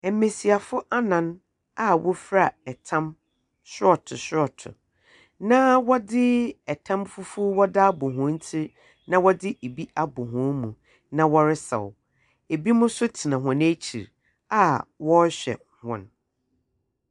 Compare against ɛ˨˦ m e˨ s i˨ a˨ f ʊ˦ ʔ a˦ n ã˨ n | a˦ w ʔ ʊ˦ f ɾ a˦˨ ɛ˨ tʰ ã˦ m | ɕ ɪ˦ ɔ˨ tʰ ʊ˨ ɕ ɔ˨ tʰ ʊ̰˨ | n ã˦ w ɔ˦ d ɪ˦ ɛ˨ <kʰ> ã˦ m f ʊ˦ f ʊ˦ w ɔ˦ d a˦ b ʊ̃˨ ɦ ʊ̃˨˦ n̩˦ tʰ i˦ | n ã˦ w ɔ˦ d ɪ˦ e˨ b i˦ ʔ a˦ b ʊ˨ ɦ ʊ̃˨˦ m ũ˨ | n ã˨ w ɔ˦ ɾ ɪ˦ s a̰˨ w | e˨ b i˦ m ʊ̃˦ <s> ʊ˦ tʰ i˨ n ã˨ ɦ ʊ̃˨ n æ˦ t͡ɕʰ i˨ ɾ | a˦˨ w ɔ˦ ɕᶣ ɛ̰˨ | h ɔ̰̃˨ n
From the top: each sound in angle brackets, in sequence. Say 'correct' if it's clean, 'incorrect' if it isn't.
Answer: incorrect: tʰ, correct

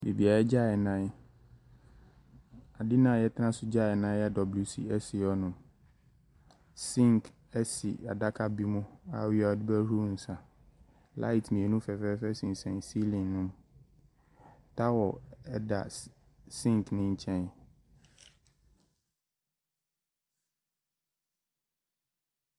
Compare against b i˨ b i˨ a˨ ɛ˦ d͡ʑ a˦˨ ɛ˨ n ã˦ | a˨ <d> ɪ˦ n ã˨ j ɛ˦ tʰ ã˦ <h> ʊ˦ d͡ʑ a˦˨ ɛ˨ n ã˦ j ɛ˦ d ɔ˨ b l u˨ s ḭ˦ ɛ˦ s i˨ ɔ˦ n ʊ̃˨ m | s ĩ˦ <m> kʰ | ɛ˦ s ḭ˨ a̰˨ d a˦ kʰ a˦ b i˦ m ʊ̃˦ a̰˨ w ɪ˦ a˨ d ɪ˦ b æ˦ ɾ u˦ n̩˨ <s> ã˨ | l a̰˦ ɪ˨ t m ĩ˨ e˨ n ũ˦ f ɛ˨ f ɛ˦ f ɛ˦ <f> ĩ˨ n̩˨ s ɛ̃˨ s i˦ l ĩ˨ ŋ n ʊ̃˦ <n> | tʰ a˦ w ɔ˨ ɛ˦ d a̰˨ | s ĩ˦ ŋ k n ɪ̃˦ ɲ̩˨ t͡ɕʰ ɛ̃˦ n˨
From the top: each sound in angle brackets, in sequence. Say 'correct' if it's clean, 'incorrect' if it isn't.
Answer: correct, incorrect: s, incorrect: ŋ, correct, incorrect: s, incorrect: m

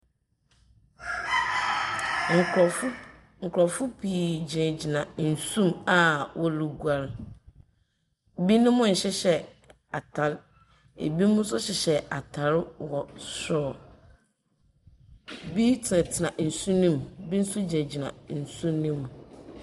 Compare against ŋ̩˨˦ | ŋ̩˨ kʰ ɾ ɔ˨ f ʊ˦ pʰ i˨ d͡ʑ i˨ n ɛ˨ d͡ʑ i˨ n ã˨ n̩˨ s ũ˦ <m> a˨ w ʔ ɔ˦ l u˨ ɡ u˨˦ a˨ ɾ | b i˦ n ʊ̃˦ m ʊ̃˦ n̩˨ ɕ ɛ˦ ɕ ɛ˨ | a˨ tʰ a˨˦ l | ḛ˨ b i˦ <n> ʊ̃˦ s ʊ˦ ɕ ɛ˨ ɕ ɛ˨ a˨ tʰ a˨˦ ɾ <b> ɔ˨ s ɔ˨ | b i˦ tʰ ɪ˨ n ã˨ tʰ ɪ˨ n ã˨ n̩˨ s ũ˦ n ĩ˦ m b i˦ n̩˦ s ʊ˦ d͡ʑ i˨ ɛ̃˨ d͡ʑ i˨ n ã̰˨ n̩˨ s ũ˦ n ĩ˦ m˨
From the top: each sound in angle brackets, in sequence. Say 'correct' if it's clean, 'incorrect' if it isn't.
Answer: correct, incorrect: m, incorrect: w

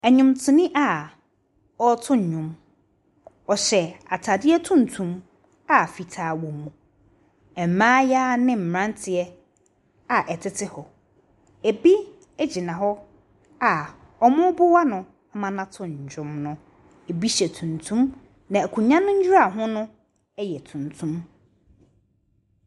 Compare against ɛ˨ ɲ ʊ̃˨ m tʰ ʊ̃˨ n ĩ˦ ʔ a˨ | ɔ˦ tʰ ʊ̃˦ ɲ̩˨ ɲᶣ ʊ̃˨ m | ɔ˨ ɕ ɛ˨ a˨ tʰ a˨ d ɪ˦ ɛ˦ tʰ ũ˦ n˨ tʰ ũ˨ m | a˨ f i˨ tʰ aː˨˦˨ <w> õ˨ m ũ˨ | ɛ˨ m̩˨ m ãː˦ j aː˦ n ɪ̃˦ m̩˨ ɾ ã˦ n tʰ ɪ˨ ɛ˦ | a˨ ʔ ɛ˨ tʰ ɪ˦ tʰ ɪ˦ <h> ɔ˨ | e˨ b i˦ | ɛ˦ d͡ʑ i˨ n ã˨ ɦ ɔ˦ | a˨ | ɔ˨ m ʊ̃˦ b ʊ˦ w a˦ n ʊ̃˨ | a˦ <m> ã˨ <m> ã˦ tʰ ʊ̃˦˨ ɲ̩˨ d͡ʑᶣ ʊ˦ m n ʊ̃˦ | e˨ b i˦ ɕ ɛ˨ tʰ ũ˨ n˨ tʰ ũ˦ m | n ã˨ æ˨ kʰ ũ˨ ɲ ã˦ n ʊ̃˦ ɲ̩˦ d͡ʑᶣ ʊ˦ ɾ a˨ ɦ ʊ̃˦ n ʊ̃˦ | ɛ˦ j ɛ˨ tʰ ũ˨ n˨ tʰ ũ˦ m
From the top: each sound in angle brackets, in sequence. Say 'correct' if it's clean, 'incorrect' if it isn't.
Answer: correct, correct, correct, incorrect: n

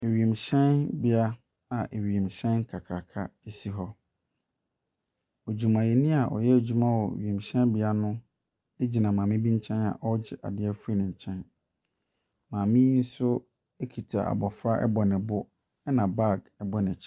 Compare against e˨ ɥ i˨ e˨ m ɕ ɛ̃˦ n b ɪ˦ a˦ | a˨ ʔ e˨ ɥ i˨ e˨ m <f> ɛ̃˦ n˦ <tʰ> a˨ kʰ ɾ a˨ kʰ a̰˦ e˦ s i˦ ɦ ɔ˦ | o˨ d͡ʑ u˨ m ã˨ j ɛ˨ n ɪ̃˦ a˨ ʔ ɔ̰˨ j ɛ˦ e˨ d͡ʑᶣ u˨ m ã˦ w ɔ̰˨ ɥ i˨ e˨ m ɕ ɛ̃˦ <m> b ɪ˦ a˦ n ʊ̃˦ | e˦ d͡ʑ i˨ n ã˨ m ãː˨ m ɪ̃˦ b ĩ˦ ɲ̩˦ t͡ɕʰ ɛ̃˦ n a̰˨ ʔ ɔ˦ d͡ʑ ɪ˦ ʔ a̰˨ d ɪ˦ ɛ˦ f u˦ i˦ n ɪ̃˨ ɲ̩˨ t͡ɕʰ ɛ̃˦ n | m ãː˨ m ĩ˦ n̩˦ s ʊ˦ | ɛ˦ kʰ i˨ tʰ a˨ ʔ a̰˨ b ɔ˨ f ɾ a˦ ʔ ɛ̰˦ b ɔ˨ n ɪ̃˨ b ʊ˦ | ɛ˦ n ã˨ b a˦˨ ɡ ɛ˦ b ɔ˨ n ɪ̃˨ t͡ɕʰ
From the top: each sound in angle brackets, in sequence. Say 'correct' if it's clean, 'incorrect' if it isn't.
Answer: incorrect: ɕ, incorrect: kʰ, incorrect: n

